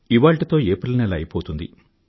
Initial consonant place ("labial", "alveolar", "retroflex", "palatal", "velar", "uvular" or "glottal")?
labial